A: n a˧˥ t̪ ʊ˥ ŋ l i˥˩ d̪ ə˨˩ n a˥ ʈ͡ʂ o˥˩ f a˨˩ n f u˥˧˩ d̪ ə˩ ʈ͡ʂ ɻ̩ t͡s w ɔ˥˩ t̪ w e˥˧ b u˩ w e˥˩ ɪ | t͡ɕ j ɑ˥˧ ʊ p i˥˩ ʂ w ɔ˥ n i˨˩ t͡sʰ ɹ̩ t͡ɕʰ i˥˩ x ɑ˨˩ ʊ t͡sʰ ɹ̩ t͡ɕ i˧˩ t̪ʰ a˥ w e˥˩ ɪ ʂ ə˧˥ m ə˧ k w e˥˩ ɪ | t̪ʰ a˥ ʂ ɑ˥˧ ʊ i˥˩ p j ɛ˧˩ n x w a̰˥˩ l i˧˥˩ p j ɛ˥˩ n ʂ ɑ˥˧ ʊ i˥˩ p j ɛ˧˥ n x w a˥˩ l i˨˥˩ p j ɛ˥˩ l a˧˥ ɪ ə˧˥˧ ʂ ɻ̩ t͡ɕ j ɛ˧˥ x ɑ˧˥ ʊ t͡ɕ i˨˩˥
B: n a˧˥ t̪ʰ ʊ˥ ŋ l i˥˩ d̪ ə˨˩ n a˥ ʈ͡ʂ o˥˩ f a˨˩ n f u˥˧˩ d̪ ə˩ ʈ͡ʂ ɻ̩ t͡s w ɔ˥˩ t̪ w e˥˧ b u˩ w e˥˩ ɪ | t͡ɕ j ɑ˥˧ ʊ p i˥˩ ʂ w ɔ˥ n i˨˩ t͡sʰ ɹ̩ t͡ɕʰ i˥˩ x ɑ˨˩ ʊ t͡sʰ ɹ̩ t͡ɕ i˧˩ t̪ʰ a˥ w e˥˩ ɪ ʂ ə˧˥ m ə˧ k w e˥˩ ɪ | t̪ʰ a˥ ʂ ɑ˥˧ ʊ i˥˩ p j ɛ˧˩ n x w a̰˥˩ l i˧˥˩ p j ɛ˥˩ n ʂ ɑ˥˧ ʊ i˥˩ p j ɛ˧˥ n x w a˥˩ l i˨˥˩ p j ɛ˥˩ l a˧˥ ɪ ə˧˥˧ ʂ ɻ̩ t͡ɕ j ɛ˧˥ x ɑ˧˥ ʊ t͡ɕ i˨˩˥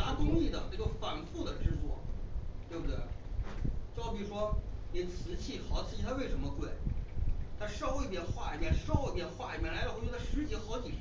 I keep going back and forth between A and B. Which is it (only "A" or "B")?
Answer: A